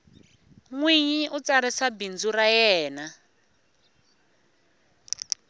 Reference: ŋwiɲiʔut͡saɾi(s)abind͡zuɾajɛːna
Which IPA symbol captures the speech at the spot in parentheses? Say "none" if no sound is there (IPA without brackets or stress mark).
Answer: s